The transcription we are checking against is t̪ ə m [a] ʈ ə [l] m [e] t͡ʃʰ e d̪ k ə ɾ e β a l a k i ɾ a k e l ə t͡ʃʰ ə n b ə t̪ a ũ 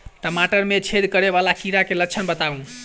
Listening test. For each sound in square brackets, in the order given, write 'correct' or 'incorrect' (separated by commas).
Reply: correct, incorrect, correct